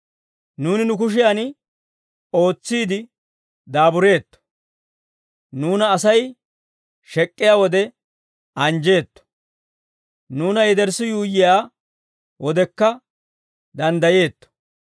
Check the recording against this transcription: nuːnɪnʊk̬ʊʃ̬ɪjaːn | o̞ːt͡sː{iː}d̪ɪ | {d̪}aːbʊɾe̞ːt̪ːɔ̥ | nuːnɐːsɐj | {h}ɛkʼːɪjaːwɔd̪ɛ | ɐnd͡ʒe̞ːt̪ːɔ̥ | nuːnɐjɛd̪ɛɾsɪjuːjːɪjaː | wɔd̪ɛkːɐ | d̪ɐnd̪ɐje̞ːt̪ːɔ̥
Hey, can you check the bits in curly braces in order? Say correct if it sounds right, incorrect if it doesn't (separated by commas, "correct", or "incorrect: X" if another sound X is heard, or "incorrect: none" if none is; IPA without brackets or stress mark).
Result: correct, correct, incorrect: ʃ